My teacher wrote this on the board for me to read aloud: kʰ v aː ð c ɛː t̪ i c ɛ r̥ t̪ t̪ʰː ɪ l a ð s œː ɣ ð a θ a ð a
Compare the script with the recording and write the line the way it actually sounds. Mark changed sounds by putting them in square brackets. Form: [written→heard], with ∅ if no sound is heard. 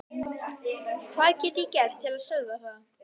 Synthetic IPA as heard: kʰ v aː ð c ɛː t̪ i c ɛ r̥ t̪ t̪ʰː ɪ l a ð s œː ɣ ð a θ a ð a

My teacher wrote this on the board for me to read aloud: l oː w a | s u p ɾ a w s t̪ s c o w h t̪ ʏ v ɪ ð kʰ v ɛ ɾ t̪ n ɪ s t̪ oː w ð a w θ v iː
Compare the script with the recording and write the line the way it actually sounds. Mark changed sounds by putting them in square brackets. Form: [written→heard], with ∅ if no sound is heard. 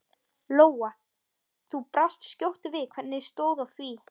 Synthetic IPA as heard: l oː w a | [s→θ] u p ɾ a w s t̪ s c o w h t̪ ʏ v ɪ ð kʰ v ɛ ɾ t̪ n ɪ s t̪ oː w ð a w θ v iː

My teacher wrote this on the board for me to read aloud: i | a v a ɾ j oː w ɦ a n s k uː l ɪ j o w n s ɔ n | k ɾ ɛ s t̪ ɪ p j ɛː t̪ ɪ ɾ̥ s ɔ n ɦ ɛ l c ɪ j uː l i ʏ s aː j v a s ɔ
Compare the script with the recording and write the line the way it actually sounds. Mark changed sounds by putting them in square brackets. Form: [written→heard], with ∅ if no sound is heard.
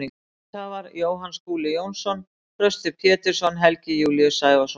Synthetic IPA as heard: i | a v a ɾ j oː w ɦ a n s k uː l ɪ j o w n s ɔ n | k ɾ [ɛ→œ] s t̪ ɪ [p→pʰ] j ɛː t̪ ɪ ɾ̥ s ɔ n ɦ ɛ l c ɪ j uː l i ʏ s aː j v a s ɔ

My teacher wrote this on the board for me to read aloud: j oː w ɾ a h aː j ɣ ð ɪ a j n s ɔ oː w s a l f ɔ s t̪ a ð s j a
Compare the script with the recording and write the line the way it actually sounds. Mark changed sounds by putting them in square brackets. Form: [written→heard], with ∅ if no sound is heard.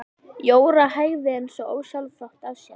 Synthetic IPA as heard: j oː w ɾ a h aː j ɣ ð ɪ [a→e] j n s ɔ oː w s a l f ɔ [s→h] t̪ a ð s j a

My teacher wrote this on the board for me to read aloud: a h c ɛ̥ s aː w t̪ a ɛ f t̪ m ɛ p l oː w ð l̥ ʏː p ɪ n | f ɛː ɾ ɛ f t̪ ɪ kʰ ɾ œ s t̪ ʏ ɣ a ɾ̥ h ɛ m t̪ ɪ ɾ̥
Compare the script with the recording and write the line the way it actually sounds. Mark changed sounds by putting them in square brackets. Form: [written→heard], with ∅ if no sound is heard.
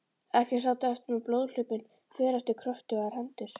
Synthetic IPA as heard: [a→ɛ] h c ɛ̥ s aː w t̪ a ɛ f t̪ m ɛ p l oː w ð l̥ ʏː p ɪ n | f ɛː ɾ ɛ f t̪ ɪ kʰ ɾ œ [s→f] t̪ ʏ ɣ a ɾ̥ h ɛ [m→n] t̪ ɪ ɾ̥

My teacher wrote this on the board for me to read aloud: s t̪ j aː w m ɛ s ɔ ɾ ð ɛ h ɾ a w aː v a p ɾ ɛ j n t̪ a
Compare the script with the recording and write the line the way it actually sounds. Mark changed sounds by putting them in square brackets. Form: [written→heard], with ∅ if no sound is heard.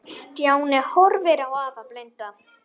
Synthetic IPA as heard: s t̪ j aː w [m→n] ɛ [s→h] ɔ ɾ [ð→v] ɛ [h→∅] ɾ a w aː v a p [ɾ→l] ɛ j n t̪ a

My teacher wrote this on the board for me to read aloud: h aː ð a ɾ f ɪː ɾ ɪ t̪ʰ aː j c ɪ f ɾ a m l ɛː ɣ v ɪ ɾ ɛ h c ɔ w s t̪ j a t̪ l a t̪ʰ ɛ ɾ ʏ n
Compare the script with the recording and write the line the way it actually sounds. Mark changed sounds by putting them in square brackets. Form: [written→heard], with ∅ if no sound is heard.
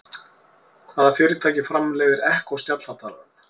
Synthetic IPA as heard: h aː ð a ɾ f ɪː ɾ ɪ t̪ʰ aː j c ɪ f ɾ a m l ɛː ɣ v ɪ ɾ ɛ h [c→k] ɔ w s t̪ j a t̪ l a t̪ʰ [ɛ→a] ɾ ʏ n

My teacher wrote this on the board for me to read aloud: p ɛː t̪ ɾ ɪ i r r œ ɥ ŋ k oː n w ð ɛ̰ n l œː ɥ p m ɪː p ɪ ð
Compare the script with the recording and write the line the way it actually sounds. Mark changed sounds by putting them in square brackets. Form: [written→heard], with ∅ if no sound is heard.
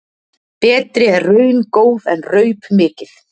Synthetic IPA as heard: p ɛː t̪ ɾ ɪ [i→ɛ] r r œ ɥ [ŋ→n] k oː [n→∅] w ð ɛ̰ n [l→r] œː ɥ p m ɪː [p→c] ɪ [ð→θ]

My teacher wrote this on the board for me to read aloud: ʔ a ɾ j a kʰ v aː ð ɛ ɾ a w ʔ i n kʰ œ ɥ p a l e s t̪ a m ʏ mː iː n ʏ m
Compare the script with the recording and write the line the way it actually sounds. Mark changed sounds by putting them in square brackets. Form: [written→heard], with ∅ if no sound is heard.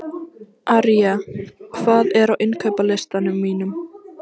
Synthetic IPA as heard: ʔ a ɾ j a kʰ v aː ð ɛ ɾ a w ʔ [i→ɪ] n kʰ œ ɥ p a l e s t̪ a [m→n] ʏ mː iː n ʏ m

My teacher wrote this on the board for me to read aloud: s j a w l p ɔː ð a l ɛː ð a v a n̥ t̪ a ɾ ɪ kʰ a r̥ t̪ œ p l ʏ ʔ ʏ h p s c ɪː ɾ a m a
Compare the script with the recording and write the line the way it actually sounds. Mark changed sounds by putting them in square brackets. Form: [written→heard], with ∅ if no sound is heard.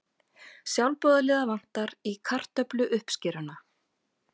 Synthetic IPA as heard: s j a w l p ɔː ð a l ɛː ð a v a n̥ t̪ a ɾ [ɪ→i] kʰ a r̥ t̪ œ p l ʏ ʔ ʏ h p s c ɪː ɾ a [m→n] a

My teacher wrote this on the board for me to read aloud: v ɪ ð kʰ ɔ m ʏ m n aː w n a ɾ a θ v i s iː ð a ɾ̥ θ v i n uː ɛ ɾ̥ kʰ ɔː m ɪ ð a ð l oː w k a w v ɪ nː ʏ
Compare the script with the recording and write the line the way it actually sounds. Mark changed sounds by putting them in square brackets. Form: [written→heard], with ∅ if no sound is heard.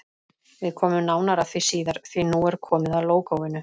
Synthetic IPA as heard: v ɪ ð kʰ [ɔ→ɔː] m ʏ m n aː w n a ɾ a θ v i s iː ð a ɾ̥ θ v i n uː ɛ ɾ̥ kʰ ɔː m ɪ ð a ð l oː w k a w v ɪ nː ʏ

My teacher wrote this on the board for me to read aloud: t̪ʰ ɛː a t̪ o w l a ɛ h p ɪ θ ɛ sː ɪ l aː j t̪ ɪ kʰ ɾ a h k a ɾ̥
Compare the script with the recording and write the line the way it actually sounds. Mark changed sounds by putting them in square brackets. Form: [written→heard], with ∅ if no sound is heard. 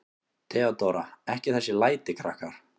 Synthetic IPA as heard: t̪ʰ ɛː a t̪ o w [l→ɾ] a ɛ h [p→c] ɪ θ ɛ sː ɪ l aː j t̪ ɪ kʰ ɾ a h k a ɾ̥

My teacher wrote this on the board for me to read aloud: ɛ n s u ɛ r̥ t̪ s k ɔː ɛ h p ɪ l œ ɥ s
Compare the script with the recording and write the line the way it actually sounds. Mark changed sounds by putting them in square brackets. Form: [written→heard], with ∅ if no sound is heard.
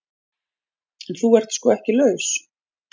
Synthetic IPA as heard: ɛ n [s→θ] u ɛ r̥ t̪ s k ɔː ɛ h [p→c] ɪ l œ ɥ s

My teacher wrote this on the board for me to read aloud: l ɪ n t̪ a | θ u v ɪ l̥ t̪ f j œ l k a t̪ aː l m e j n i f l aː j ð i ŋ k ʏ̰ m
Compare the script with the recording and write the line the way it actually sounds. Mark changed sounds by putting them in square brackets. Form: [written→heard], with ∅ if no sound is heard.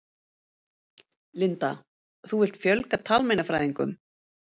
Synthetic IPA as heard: l ɪ n t̪ a | θ u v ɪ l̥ t̪ f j œ l k a [t̪→t̪ʰ] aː l m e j n [i→a] f [l→ɾ] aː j ð i ŋ k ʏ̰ m

